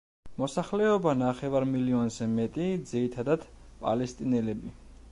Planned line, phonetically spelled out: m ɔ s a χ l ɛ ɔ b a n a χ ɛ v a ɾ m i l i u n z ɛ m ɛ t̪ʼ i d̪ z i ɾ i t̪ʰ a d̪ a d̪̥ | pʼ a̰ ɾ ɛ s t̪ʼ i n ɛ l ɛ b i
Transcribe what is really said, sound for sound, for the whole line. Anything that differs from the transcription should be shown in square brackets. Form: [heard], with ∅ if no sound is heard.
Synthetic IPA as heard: m ɔ s a χ l ɛ ɔ b a n a χ ɛ v a ɾ m i l i [ɔ] n z ɛ m ɛ t̪ʼ i d̪ z i ɾ i t̪ʰ a d̪ a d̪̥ | pʼ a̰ [l] ɛ s t̪ʼ i n ɛ l ɛ b i